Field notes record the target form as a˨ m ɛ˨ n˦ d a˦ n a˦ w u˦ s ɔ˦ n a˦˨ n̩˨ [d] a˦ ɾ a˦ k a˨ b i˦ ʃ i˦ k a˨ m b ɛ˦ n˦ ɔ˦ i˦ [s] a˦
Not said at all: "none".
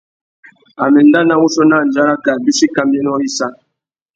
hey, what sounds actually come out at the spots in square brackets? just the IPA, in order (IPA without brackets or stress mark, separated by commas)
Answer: d͡ʒ, s